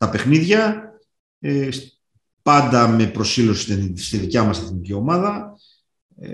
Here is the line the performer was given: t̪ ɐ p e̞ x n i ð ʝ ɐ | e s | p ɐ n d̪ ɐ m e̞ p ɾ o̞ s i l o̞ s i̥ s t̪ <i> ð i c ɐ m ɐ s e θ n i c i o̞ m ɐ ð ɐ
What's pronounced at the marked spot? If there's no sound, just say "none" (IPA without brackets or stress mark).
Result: i